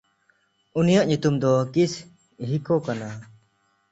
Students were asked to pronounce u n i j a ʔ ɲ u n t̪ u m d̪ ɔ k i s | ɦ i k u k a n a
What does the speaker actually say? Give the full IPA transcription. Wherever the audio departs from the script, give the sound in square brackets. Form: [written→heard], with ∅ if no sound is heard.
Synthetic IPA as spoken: u n i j a ʔ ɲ u [n→∅] t̪ u m d̪ ɔ k i s | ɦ i k [u→ɔ] k a n a